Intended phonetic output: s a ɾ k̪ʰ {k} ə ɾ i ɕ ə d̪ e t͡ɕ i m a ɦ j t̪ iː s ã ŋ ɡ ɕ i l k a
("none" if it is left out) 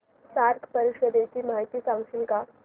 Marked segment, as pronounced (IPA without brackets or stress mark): p